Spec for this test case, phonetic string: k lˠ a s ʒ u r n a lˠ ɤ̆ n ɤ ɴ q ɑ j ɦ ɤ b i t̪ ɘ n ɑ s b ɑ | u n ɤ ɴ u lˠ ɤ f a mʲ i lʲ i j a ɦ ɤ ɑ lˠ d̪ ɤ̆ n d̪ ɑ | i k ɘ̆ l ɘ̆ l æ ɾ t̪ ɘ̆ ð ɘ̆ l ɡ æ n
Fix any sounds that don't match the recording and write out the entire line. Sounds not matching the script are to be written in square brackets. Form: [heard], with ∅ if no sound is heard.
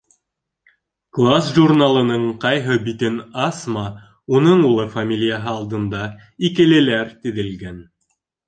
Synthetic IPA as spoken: k lˠ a s ʒ u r n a lˠ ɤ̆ n ɤ ɴ q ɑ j ɦ ɤ b i t̪ ɘ n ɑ s [m] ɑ | u n ɤ ɴ u lˠ ɤ f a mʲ i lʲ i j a ɦ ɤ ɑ lˠ d̪ ɤ̆ n d̪ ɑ | i k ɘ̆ l ɘ̆ l æ ɾ t̪ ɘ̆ ð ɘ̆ l ɡ æ n